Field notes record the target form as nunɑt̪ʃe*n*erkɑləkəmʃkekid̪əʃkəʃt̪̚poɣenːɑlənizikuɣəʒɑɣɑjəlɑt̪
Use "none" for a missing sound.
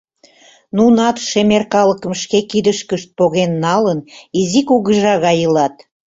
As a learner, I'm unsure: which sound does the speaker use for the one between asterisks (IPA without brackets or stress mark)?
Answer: m